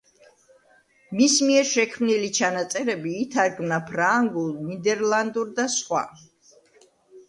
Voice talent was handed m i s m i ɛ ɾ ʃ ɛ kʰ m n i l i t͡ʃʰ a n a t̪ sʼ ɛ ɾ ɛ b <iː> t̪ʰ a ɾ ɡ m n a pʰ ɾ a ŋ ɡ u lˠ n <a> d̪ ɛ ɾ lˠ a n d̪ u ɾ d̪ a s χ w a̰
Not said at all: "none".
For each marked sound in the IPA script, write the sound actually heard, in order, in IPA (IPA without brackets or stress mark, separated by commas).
iː, i